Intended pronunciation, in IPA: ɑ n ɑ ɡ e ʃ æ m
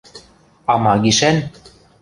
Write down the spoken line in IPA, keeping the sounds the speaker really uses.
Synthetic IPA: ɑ m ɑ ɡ i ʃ æ n